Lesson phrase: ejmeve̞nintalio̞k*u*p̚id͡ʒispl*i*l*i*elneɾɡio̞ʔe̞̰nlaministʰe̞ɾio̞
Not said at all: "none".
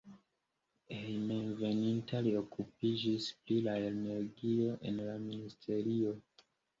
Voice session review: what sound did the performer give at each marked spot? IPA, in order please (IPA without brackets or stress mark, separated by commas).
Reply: u, i, a